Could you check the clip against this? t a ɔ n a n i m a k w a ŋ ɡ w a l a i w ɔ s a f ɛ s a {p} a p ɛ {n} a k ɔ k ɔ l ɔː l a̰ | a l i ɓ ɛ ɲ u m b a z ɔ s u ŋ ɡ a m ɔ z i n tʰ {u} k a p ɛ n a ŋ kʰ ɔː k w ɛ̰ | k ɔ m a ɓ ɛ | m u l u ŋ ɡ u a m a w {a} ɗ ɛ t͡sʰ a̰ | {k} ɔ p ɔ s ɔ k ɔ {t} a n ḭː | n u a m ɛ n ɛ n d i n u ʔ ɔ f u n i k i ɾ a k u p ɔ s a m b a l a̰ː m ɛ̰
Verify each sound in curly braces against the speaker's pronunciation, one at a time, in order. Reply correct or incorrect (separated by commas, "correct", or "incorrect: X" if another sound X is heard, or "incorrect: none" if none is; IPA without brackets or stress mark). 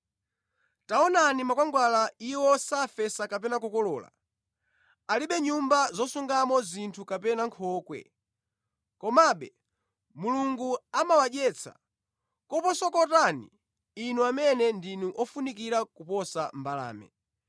incorrect: k, correct, correct, correct, correct, correct